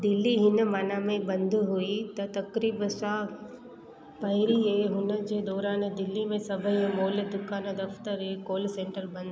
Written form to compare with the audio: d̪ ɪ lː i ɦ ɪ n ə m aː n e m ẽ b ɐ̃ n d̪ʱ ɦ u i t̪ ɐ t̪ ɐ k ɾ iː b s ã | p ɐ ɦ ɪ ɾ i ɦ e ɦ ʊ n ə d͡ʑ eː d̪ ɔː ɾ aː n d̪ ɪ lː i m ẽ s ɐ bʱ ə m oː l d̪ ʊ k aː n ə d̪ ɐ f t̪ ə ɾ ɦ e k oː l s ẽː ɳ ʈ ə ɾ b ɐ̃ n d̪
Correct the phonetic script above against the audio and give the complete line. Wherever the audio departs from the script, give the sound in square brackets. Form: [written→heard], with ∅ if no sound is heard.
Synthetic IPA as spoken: d̪ ɪ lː i ɦ ɪ n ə m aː n [e→a] m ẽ b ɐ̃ n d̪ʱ ɦ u i t̪ ɐ t̪ ɐ k ɾ iː b s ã | p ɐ ɦ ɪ ɾ i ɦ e ɦ ʊ n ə d͡ʑ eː d̪ ɔː ɾ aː n d̪ ɪ lː i m ẽ s ɐ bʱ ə m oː l d̪ ʊ k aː n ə d̪ ɐ f t̪ ə ɾ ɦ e k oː l s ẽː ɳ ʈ ə ɾ b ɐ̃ n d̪